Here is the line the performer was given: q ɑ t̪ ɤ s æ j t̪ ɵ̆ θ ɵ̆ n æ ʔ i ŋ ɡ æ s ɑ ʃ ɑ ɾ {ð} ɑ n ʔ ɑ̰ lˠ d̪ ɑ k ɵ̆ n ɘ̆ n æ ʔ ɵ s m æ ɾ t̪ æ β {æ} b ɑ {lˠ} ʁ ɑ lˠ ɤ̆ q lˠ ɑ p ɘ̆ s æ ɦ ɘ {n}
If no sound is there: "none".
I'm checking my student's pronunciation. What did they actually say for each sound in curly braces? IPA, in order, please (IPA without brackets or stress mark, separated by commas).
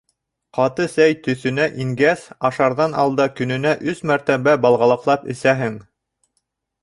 ð, æ, lˠ, ŋ